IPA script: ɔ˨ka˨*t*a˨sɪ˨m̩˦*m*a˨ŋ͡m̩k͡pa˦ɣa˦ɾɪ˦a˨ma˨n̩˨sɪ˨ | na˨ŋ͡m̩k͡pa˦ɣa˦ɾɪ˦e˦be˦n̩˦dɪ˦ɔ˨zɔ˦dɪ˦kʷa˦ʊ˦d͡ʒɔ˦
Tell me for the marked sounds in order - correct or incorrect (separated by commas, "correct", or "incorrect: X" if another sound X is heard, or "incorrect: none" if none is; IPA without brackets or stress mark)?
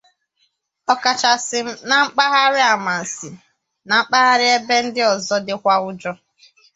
incorrect: t͡ʃ, incorrect: n